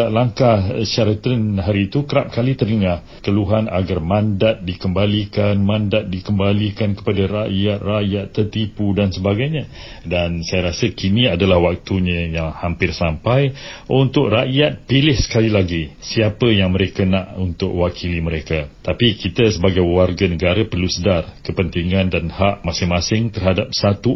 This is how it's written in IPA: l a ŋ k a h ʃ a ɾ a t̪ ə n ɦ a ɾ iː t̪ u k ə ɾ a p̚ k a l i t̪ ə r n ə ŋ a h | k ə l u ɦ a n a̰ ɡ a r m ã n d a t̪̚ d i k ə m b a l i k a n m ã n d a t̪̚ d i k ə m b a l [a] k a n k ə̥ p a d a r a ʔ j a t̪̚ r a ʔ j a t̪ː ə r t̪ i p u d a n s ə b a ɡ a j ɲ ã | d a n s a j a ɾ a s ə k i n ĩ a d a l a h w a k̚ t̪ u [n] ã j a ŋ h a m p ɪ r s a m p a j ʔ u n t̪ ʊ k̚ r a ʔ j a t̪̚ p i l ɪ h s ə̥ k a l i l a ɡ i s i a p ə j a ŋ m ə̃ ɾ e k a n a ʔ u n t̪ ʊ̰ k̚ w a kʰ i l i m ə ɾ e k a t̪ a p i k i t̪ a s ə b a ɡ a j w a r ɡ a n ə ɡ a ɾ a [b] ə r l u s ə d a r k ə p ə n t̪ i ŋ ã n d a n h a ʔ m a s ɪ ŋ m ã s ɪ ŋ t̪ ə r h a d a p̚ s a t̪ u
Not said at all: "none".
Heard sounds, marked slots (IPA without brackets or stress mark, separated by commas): i, ɲ, p